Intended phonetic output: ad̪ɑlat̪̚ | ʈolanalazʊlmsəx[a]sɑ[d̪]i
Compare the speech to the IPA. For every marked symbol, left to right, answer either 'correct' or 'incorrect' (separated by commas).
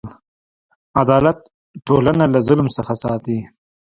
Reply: correct, incorrect